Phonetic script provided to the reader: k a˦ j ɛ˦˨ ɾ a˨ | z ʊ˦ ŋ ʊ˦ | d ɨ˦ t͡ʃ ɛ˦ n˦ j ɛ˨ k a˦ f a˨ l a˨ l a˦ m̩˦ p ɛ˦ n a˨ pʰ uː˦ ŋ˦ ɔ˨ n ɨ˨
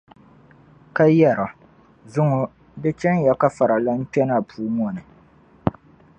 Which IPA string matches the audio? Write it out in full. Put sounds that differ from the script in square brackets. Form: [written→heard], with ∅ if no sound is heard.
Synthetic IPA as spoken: k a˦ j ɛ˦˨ ɾ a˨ | z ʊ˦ ŋ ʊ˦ | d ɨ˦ t͡ʃ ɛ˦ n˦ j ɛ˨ k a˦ f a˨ [l→ɾ] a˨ l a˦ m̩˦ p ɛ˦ n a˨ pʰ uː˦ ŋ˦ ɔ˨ n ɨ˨